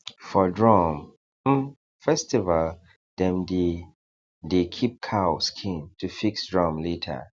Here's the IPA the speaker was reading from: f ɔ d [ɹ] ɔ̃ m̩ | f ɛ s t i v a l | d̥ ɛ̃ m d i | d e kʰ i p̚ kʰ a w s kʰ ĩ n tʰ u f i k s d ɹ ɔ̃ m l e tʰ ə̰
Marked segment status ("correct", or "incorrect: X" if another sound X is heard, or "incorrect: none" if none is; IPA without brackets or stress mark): correct